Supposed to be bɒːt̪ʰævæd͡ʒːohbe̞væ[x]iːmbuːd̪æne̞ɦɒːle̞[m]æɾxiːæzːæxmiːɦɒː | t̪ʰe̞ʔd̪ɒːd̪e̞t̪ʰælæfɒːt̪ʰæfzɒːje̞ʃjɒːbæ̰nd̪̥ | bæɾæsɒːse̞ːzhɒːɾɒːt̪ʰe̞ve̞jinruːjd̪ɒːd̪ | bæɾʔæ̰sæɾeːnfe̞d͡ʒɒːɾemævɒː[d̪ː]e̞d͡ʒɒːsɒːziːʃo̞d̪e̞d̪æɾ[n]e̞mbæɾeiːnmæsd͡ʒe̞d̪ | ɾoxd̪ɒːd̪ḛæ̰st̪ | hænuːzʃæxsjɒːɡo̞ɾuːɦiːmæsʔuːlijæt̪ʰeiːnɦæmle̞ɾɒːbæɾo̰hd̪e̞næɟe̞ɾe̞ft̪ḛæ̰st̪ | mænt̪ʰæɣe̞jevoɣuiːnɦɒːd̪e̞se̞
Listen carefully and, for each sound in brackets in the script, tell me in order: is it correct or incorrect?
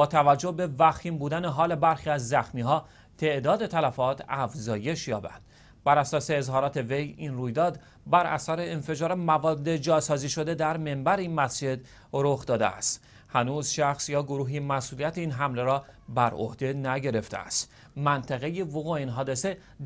correct, incorrect, correct, incorrect

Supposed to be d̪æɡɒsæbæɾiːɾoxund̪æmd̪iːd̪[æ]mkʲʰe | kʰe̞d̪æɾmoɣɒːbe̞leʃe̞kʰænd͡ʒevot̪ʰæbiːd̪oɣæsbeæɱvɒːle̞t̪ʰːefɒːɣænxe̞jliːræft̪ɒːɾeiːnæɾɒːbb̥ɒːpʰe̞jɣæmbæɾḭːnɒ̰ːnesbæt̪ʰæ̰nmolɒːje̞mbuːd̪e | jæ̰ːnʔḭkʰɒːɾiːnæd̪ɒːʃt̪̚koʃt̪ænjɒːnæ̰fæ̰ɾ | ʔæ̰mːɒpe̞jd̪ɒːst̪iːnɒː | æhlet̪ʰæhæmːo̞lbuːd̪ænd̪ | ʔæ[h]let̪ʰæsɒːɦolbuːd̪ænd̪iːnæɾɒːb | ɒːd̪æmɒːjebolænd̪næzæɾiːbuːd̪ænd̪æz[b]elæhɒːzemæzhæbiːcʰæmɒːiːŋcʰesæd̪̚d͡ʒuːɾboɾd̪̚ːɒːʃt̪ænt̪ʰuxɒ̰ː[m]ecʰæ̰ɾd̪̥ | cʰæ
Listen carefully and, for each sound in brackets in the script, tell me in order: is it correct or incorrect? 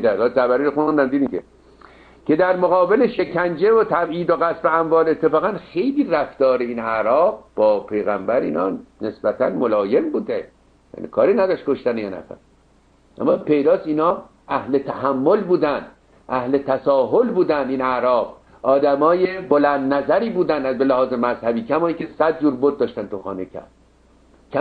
incorrect, correct, correct, incorrect

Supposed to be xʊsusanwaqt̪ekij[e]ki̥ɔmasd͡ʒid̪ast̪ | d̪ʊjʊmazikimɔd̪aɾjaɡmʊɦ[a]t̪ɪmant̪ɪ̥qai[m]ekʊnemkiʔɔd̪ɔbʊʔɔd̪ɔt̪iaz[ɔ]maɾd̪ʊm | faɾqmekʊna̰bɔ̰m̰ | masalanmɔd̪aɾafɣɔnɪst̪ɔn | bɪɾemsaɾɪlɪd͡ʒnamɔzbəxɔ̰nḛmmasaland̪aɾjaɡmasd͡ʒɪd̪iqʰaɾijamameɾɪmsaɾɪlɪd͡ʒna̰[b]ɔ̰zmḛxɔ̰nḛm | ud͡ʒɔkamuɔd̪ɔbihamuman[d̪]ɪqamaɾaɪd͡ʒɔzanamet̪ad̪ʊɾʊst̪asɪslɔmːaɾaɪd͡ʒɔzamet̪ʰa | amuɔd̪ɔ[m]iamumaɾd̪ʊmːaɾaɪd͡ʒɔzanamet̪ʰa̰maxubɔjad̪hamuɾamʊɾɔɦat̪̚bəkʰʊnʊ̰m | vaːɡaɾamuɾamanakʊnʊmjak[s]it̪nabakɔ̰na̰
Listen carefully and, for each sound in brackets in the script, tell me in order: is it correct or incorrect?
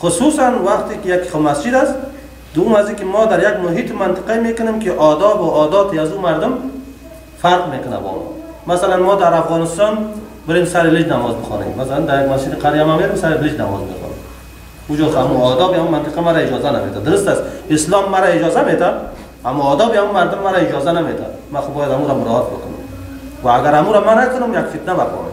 incorrect, incorrect, correct, incorrect, incorrect, incorrect, incorrect, incorrect

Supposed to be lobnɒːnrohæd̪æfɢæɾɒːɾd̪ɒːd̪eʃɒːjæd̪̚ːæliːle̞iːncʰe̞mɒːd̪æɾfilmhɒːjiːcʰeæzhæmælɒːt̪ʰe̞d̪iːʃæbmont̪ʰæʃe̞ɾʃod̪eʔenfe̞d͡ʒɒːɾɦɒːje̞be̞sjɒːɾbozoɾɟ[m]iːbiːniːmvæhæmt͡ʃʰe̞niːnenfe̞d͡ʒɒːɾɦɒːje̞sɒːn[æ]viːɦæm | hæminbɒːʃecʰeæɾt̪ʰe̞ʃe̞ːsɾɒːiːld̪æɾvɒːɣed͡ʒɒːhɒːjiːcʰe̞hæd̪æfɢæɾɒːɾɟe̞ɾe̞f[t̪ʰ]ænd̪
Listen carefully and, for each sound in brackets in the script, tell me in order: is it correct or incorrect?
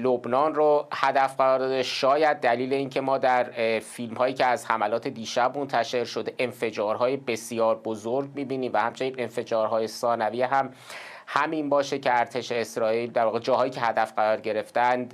correct, correct, incorrect

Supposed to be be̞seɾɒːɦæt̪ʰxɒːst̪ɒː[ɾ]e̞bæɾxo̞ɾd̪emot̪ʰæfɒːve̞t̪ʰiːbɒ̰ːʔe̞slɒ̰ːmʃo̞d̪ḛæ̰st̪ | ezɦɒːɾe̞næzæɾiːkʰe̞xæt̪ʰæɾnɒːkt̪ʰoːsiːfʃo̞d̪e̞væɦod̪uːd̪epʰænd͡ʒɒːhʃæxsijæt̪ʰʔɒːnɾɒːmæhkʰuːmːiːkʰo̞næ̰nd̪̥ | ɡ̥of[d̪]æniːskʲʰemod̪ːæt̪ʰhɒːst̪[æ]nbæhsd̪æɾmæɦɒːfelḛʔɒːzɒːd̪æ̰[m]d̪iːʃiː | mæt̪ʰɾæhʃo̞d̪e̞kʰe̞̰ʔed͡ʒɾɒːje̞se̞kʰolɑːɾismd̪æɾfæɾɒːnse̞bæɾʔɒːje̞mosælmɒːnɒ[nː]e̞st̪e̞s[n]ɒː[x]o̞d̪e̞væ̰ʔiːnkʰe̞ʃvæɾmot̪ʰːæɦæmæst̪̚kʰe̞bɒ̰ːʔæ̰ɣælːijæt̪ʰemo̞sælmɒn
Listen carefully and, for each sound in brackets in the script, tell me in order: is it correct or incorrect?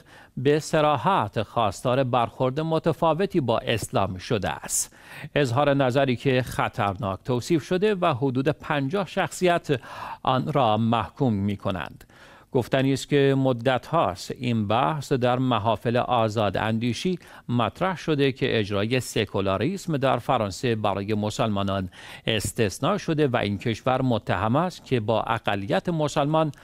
correct, incorrect, incorrect, incorrect, incorrect, correct, incorrect

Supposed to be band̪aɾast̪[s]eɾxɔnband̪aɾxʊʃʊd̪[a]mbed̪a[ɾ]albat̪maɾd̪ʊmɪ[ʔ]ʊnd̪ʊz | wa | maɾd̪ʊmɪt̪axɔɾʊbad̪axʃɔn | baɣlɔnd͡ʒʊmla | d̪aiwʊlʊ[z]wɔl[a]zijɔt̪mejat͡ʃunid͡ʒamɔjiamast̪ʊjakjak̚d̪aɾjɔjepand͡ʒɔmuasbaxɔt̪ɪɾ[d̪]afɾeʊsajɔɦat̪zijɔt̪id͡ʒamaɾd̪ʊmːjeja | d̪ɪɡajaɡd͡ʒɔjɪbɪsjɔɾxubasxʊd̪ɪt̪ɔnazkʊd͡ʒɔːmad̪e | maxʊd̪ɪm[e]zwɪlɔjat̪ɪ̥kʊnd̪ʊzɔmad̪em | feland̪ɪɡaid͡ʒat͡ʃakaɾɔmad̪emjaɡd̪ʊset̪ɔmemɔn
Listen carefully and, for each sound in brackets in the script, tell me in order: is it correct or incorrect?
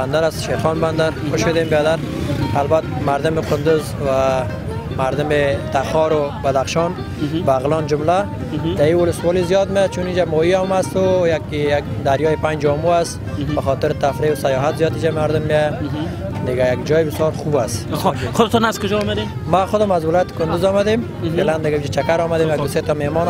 incorrect, incorrect, correct, incorrect, incorrect, incorrect, incorrect, incorrect

